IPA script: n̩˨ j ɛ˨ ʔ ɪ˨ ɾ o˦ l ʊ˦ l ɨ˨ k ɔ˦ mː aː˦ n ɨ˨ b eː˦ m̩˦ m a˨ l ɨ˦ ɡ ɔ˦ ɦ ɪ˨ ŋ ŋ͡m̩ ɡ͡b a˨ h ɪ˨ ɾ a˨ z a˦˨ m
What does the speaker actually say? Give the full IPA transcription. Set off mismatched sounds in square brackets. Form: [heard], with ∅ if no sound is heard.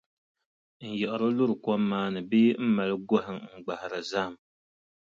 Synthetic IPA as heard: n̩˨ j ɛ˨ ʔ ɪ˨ ɾ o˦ l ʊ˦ [ɾ] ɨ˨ k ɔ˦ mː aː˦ n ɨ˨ b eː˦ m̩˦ m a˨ l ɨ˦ ɡ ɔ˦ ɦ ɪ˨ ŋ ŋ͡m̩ ɡ͡b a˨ h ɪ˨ ɾ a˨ z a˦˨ m